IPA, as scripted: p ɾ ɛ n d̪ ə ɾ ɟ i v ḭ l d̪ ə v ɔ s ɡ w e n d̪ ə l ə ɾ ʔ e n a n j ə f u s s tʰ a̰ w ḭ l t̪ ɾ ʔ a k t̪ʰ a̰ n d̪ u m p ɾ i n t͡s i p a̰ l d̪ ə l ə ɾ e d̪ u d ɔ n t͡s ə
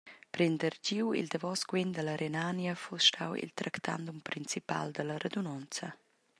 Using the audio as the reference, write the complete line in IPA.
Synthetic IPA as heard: p ɾ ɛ n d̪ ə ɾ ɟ i w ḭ l d̪ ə v ɔ s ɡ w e n d̪ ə l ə ɾ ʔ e n a n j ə f u s ʃ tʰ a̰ w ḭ l t̪ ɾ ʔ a k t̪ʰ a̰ n d̪ u m p ɾ i n t͡s i p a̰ l d̪ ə l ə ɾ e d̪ u n ɔ n t͡s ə